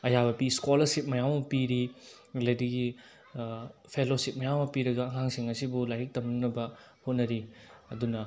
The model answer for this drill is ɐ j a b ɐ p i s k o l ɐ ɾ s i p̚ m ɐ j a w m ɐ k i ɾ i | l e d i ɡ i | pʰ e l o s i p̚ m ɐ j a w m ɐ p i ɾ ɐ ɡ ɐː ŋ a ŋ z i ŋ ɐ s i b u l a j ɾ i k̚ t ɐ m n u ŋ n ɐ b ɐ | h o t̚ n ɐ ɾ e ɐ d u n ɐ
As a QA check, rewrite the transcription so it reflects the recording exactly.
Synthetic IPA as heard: ɐ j a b ɐ p i s k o l ɐ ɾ s i p̚ m ɐ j a w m ɐ p i ɾ i | l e d i ɡ i | pʰ e l o s i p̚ m ɐ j a w m ɐ p i ɾ ɐ ɡ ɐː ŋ a ŋ s i ŋ ɐ s i b u l a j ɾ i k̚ t ɐ m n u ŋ n ɐ b ɐ | h o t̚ n ɐ ɾ i ɐ d u n ɐ